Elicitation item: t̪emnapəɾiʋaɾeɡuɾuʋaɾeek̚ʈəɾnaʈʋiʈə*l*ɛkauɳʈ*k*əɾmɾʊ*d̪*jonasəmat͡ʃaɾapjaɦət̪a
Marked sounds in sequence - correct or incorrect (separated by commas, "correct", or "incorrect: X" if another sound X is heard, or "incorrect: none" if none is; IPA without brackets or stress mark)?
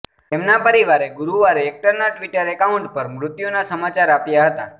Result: incorrect: ɾ, incorrect: p, incorrect: t̪